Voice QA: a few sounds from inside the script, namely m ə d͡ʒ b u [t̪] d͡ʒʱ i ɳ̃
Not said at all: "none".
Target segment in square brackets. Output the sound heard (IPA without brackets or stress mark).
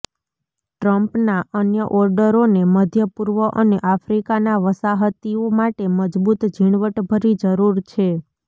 t̪